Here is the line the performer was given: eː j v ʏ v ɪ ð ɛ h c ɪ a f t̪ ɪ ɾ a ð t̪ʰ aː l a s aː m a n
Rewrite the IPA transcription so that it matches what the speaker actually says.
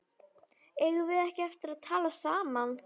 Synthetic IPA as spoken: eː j ɣ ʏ v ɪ ð ɛ h c ɪ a f t̪ ɪ ɾ a ð t̪ʰ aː l a s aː m a n